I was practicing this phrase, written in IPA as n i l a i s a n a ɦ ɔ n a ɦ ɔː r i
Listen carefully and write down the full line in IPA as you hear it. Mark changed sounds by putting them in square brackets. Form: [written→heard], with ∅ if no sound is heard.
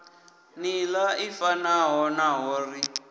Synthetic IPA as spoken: n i l a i [s→f] a n a ɦ ɔ n a ɦ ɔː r i